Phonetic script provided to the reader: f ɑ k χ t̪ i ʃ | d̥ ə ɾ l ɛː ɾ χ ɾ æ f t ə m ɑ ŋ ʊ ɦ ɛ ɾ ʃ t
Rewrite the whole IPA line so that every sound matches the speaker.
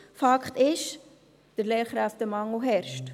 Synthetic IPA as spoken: f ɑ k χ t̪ ɪ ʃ | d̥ ə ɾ l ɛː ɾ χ ɾ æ f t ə m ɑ ŋ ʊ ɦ ɛ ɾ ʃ t